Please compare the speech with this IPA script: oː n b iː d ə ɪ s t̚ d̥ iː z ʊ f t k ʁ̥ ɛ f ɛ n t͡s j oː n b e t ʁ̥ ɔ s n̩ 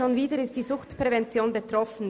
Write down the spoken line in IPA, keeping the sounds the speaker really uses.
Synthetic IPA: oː n v iː d ə ɪ s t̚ d̥ iː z ʊ x t p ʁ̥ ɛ v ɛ n t͡s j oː n b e t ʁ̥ ɔ f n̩